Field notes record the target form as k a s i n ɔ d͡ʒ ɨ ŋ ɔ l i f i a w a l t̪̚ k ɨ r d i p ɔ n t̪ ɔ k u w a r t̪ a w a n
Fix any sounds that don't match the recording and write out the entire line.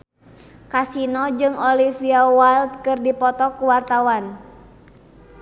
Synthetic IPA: k a s i n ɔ d͡ʒ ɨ ŋ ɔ l i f i a w a l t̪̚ k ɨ r d i p ɔ t̪ ɔ k u w a r t̪ a w a n